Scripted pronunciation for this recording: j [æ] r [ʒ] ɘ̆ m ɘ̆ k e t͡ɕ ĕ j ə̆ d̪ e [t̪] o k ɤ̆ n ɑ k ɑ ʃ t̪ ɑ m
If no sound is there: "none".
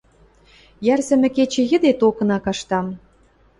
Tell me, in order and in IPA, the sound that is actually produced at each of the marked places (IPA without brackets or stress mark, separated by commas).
æ, z, t̪